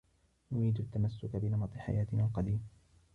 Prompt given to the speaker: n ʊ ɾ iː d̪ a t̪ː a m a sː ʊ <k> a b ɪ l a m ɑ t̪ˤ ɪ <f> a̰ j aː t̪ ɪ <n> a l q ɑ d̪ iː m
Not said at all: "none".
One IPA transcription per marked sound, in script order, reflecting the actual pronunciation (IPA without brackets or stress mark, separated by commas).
k, ħ, n